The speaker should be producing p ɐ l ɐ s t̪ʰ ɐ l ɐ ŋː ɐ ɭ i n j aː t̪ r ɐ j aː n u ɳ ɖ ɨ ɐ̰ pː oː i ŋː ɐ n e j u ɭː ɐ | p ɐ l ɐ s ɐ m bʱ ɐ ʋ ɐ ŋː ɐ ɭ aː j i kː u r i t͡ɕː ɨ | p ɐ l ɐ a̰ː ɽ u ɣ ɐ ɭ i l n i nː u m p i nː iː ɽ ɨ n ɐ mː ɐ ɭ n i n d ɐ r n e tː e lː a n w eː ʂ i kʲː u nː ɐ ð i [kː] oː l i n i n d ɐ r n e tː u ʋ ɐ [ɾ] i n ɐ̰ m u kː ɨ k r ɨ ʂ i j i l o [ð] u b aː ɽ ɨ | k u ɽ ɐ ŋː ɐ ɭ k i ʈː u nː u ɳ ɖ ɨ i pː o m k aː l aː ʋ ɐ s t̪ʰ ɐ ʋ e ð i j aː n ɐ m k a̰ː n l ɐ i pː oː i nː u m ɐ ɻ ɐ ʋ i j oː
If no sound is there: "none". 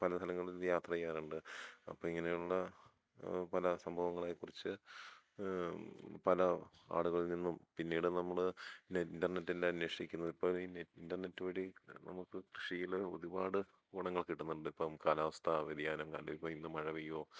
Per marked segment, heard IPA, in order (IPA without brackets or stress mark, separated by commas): pː, ɽ, ð